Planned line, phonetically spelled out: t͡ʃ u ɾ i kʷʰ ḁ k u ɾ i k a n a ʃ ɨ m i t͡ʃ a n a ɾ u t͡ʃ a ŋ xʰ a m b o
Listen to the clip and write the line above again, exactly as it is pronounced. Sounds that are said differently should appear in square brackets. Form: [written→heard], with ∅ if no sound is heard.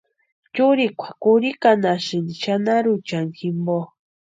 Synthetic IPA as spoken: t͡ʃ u ɾ i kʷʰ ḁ k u ɾ i k a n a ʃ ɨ [m→n] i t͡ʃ a n a ɾ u t͡ʃ a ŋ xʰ [a→i] m b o